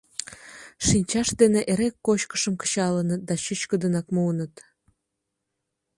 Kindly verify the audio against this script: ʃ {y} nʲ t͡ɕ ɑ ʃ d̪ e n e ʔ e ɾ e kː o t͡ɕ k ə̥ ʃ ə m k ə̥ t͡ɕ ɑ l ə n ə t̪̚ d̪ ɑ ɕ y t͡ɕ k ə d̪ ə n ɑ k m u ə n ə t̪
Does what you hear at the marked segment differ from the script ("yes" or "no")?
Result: yes